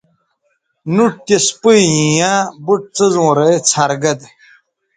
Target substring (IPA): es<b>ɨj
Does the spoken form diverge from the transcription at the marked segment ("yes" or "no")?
yes